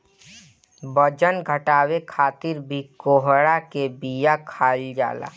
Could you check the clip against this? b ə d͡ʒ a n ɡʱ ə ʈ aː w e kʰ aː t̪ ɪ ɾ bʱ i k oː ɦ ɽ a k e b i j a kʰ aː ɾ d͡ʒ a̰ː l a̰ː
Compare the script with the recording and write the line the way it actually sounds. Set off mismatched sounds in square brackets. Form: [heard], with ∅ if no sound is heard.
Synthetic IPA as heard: b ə d͡ʒ [ə] n ɡʱ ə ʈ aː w e kʰ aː t̪ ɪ ɾ bʱ i k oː ɦ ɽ a k e b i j a kʰ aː [l] d͡ʒ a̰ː l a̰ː